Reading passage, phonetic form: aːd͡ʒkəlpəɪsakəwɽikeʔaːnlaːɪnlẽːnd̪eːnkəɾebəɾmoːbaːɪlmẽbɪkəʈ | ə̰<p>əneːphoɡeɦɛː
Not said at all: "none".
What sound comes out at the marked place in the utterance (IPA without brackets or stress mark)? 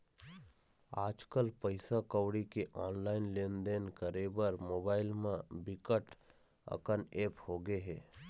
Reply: k